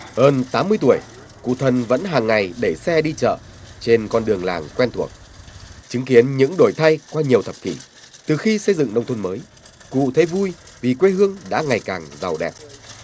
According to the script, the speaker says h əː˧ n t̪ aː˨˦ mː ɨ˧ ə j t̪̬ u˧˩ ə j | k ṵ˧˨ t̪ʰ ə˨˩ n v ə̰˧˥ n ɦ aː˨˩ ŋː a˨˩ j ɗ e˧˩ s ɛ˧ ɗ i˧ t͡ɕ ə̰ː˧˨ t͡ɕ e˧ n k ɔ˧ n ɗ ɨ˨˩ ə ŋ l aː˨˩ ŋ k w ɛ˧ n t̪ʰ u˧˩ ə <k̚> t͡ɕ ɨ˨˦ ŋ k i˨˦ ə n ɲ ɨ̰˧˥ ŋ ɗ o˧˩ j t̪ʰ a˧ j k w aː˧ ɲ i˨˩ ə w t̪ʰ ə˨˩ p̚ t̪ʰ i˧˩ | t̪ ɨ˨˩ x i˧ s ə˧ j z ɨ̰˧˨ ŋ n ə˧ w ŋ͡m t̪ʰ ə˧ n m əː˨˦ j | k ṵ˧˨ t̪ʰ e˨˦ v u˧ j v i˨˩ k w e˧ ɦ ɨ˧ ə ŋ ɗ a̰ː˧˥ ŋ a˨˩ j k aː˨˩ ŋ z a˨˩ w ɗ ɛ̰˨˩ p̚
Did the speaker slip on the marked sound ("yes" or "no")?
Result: no